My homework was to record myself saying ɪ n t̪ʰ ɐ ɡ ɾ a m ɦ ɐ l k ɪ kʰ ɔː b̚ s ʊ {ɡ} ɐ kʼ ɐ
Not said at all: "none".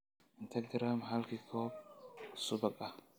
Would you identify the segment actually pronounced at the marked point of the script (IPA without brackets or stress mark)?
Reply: b